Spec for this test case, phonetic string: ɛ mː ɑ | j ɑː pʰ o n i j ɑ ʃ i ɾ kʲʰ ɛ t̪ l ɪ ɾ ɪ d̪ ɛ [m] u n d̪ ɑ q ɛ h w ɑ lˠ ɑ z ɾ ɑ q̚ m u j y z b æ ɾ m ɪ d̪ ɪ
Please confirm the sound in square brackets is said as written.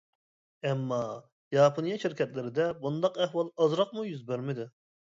no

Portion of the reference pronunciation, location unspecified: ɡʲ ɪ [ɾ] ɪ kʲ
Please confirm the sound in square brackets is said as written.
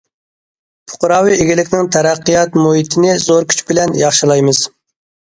no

